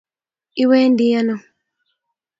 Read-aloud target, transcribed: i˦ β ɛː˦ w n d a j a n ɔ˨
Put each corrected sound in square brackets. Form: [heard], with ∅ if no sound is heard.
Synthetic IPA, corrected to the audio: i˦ [w] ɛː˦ [∅] n d [i] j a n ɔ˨